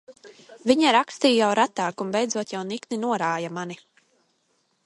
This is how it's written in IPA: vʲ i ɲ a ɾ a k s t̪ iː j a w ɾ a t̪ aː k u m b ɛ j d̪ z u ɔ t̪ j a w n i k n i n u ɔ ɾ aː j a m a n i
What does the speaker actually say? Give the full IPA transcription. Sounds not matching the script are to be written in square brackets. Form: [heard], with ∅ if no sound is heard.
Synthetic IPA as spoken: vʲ i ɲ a ɾ a k s t̪ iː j a w ɾ a t̪ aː k u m b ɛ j d̪ z u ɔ t̪ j a w n i k n i n u ɔ ɾ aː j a m a n i